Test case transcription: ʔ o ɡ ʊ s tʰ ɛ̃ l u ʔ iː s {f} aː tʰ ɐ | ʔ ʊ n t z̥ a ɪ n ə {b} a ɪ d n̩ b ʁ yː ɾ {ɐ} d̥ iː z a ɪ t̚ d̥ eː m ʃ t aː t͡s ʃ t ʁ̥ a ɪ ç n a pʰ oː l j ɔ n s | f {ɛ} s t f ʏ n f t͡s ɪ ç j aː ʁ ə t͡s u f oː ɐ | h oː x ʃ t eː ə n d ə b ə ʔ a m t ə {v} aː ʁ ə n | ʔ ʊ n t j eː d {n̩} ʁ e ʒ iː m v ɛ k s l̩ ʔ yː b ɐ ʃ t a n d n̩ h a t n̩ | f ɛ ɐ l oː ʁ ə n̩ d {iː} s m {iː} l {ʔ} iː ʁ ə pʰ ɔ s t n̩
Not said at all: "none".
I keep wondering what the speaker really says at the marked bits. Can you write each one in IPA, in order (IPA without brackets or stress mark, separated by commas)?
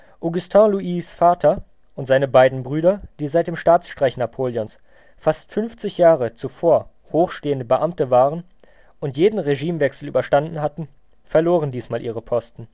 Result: f, b, ɐ, a, v, n̩, iː, aː, ʔ